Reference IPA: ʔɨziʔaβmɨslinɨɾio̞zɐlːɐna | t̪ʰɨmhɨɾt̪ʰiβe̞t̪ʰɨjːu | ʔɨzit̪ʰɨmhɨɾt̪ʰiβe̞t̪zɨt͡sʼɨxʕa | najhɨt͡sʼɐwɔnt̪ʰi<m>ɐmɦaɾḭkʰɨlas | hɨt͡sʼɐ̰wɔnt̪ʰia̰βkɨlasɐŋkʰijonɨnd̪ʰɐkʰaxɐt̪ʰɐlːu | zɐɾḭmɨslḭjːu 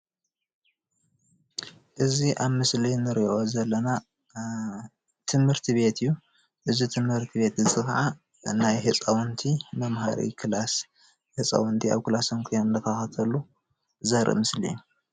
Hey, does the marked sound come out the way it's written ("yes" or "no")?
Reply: yes